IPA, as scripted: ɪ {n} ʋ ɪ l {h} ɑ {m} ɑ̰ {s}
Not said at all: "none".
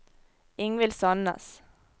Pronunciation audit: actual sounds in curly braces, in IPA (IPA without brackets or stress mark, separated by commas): ŋ, s, n, s